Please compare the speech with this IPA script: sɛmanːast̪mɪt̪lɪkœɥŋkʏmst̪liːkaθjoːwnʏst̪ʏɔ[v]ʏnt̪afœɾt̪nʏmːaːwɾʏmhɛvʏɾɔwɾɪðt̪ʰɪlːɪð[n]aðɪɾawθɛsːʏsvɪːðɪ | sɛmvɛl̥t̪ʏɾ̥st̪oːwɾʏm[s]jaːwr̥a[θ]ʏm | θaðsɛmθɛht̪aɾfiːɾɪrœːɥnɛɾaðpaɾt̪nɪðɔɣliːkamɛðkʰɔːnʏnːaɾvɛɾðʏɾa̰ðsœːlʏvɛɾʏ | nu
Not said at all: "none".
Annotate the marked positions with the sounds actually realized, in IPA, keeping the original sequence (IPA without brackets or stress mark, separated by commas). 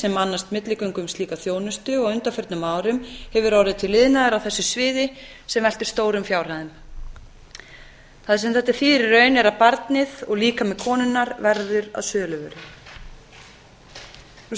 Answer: ɣ, n, f, ð